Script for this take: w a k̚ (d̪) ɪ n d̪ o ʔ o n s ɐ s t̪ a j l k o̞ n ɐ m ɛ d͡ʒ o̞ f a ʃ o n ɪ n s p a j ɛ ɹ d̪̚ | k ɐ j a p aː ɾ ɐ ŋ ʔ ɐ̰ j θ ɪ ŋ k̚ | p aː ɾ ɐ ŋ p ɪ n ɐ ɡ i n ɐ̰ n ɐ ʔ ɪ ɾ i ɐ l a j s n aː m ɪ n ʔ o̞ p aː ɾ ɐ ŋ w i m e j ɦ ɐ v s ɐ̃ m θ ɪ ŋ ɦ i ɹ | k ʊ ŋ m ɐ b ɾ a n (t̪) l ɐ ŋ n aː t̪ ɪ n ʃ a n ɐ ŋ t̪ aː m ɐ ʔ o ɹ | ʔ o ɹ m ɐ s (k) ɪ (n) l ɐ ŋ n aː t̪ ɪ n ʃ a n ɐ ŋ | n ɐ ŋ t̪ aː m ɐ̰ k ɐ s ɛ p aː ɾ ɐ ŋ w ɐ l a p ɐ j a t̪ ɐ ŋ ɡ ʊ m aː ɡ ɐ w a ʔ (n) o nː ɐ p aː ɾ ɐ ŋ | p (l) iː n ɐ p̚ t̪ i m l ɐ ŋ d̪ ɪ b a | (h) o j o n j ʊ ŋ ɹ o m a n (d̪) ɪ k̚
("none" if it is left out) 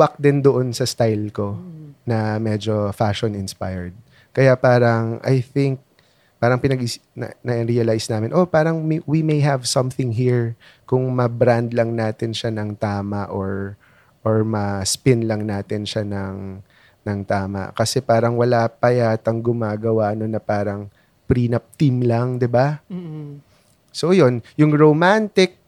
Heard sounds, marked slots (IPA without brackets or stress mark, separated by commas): d̪, d̪, p, n, n, ɾ, s, t̪